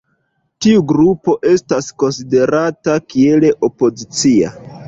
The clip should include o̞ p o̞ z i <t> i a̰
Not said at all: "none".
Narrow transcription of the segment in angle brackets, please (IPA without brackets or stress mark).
t͡s